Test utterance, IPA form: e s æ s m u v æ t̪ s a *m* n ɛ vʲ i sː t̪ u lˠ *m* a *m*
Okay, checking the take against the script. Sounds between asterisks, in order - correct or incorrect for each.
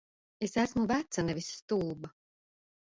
incorrect: none, incorrect: b, incorrect: none

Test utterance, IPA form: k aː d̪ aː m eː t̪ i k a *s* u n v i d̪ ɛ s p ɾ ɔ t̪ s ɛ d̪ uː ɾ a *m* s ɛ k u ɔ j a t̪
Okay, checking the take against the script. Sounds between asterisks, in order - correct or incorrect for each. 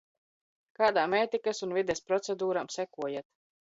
correct, correct

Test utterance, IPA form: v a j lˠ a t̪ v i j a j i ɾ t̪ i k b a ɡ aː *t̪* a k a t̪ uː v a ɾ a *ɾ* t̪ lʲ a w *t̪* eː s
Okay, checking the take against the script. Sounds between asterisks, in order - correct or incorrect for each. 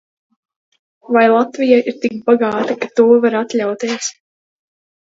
correct, incorrect: none, correct

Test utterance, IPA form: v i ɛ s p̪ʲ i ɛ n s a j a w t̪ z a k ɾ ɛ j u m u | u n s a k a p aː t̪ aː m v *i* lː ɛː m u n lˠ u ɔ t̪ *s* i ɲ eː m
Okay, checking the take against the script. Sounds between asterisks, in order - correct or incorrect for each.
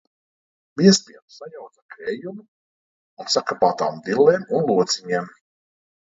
correct, correct

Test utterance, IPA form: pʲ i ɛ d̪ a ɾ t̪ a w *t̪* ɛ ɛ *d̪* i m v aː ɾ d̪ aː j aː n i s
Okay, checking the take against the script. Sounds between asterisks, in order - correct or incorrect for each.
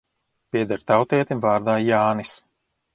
correct, incorrect: t̪

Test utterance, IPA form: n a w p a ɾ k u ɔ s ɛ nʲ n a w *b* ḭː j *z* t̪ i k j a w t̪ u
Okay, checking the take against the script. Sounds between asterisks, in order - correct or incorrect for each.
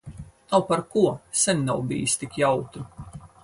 correct, incorrect: s

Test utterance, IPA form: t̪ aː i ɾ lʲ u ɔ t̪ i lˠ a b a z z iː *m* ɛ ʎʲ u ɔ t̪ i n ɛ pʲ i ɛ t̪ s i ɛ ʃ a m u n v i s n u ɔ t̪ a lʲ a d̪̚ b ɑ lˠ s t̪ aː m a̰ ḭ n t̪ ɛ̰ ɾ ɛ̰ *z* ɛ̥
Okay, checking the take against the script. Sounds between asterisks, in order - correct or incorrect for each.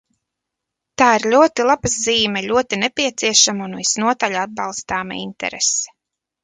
correct, incorrect: s

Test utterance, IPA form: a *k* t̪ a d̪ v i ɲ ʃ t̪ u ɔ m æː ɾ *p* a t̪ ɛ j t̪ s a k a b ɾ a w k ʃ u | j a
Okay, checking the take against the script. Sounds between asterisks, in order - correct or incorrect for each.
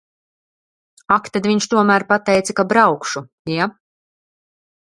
correct, correct

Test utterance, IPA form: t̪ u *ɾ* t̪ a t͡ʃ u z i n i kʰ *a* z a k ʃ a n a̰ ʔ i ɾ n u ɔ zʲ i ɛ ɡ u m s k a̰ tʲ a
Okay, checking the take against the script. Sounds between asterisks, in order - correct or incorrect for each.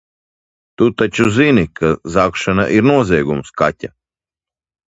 incorrect: none, correct

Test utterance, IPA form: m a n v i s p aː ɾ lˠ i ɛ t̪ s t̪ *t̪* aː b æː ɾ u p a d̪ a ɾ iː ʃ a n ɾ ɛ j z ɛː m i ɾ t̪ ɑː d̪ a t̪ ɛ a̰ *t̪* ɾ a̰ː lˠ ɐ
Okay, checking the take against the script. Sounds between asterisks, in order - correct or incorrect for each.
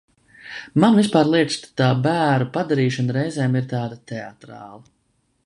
correct, correct

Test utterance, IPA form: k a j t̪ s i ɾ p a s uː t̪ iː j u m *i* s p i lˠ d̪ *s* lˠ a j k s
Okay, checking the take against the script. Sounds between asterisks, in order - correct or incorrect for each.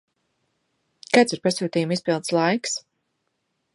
correct, correct

